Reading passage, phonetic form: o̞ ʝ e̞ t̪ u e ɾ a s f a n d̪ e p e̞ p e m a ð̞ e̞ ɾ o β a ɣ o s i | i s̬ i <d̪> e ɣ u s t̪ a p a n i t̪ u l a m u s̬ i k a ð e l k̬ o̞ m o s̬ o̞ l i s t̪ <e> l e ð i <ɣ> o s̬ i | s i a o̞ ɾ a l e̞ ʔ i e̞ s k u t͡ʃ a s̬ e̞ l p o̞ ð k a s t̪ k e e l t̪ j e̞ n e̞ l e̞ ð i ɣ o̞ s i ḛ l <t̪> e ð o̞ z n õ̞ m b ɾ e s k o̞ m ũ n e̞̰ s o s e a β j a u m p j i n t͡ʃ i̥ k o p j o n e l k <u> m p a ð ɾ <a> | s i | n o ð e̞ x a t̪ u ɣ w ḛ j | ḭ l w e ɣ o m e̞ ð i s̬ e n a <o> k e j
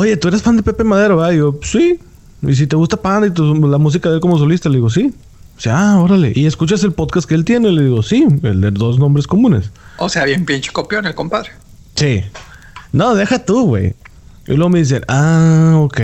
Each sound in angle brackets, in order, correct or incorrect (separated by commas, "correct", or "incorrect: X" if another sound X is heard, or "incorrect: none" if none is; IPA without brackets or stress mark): incorrect: t̪, incorrect: a, correct, incorrect: d̪, incorrect: o, incorrect: e, correct